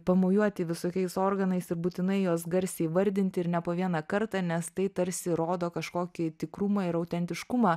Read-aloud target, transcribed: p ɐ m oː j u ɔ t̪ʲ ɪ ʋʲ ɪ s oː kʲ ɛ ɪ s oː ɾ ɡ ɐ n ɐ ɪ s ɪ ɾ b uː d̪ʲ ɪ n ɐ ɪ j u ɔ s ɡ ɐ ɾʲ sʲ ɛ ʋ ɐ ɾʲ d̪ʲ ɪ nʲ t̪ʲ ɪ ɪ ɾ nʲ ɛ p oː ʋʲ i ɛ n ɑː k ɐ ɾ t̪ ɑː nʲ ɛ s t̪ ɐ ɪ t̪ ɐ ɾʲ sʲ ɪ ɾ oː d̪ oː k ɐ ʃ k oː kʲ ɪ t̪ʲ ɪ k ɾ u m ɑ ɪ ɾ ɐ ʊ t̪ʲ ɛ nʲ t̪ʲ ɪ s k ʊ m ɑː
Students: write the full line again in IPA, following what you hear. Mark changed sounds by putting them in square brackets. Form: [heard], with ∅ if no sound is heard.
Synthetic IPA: p ɐ m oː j u ɔ t̪ʲ ɪ ʋʲ ɪ s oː kʲ ɛ ɪ s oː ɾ ɡ ɐ n ɐ ɪ s ɪ ɾ b uː [t̪ʲ] ɪ n ɐ ɪ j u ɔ s ɡ ɐ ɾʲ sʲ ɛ ʋ ɐ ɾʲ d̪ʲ ɪ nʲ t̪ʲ ɪ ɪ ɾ nʲ ɛ p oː ʋʲ i ɛ n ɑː k ɐ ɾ t̪ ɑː nʲ ɛ s t̪ ɐ ɪ t̪ ɐ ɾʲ sʲ ɪ ɾ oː d̪ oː k ɐ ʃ k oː kʲ ɪ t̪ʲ ɪ k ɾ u m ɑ ɪ ɾ ɐ ʊ t̪ʲ ɛ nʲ t̪ʲ ɪ [ʃ] k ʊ m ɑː